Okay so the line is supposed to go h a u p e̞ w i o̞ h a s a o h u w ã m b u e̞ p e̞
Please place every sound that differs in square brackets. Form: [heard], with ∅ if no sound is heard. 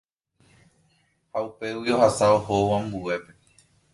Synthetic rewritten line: h a u p e̞ w i o̞ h a s a o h [o] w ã m b u e̞ p e̞